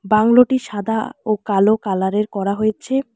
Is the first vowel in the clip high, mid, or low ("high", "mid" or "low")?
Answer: low